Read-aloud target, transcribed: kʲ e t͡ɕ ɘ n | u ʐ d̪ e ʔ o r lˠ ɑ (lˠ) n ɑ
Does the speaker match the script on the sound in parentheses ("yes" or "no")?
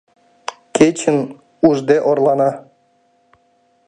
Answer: no